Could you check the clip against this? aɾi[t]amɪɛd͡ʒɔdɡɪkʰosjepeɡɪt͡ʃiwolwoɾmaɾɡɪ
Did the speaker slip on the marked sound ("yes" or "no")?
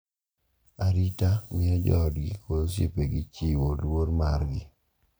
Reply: no